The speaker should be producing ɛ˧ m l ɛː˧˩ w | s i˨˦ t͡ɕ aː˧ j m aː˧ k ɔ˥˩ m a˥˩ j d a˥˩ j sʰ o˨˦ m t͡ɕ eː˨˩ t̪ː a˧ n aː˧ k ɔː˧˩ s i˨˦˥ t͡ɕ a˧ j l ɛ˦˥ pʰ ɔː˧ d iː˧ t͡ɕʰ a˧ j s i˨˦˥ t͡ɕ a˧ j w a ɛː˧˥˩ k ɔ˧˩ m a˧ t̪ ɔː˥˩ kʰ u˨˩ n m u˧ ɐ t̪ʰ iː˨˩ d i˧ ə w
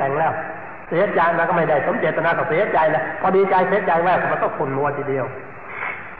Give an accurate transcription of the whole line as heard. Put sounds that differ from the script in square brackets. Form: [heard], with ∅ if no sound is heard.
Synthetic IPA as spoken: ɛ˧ [ŋ] l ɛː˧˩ w | s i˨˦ t͡ɕ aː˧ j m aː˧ k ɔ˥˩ m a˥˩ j d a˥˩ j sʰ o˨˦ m t͡ɕ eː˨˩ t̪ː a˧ n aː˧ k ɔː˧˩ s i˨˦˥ t͡ɕ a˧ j l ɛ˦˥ pʰ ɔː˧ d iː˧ [t͡ɕ] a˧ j s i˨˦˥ t͡ɕ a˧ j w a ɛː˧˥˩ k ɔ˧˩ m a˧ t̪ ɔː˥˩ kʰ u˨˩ n m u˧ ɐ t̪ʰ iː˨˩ d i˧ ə w